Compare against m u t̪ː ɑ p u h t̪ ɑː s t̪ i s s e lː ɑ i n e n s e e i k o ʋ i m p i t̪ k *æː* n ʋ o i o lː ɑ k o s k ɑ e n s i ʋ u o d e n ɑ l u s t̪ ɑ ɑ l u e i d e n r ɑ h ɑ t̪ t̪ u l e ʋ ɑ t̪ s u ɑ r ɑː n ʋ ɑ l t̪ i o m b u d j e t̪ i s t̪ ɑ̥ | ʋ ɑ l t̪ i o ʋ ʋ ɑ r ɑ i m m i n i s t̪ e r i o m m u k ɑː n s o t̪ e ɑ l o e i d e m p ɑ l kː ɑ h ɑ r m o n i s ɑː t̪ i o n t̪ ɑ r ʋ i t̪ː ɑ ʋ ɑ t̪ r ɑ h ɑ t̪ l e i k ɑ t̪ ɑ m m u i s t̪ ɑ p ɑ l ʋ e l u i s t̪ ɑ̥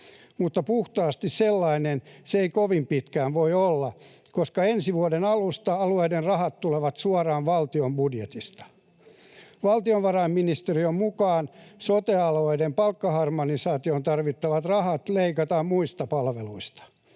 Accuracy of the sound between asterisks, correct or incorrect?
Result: correct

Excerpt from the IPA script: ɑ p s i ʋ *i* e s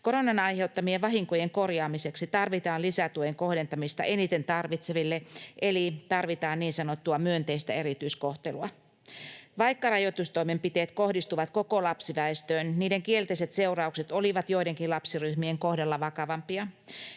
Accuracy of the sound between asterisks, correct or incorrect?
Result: incorrect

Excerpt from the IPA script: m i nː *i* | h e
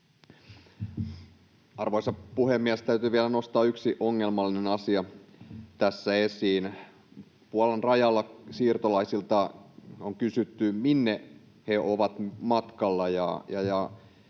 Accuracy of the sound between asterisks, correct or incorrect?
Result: incorrect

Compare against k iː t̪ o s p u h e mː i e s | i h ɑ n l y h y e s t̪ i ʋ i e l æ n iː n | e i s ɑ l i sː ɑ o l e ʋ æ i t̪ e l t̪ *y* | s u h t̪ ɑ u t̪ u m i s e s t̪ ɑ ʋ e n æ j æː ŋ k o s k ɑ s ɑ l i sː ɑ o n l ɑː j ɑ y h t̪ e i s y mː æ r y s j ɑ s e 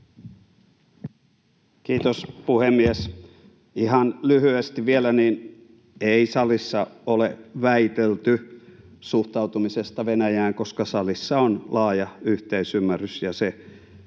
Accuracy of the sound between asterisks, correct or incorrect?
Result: correct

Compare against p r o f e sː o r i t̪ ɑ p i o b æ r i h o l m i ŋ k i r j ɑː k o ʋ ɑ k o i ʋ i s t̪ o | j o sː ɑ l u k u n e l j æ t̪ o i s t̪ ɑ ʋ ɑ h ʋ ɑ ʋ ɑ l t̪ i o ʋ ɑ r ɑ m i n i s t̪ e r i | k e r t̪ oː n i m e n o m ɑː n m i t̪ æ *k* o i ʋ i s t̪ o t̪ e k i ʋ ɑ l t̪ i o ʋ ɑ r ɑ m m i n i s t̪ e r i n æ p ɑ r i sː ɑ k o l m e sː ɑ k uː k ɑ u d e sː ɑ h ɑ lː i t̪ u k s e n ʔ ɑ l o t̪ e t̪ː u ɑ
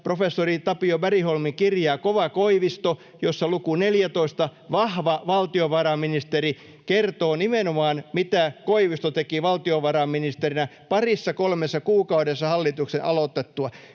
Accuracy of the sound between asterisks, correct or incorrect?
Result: correct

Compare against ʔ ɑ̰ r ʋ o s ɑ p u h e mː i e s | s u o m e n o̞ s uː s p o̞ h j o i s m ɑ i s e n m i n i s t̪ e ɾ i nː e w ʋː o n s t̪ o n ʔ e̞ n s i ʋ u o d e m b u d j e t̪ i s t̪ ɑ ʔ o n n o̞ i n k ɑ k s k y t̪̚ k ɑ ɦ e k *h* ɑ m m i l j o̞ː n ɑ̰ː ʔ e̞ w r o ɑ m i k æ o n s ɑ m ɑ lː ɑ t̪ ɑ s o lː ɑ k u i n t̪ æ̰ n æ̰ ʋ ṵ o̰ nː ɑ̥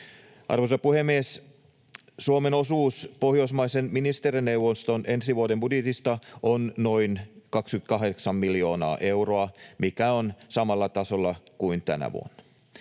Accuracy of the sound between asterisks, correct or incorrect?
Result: incorrect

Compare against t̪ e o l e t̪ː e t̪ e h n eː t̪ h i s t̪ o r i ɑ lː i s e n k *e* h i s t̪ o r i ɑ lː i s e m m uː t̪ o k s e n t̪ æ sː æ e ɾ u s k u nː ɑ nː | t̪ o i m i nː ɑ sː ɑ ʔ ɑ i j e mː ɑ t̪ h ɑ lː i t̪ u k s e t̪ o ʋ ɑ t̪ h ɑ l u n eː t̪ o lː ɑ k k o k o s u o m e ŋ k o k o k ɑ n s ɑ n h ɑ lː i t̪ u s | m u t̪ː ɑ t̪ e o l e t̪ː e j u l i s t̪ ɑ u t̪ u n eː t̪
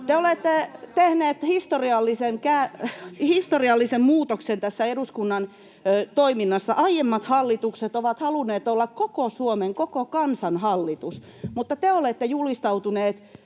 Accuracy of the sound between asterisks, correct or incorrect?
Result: incorrect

